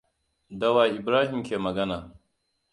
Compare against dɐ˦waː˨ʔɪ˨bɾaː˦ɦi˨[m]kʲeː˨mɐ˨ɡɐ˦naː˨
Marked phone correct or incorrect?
correct